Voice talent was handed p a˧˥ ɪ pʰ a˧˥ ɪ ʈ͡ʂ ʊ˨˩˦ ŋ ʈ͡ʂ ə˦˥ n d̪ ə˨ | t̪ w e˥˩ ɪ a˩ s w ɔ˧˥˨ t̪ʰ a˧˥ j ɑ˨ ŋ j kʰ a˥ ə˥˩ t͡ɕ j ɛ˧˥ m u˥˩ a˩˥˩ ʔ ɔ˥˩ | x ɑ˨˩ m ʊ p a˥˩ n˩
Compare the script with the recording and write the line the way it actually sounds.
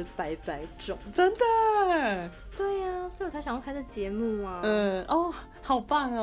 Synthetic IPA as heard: p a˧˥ ɪ p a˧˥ ɪ ʈ͡ʂ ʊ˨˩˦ ŋ ʈ͡ʂ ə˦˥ n d̪ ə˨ | t̪ w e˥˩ ɪ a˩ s w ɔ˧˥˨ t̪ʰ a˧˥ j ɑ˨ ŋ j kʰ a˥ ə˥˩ t͡ɕ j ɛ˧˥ m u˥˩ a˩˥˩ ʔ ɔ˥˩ | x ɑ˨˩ ʊ p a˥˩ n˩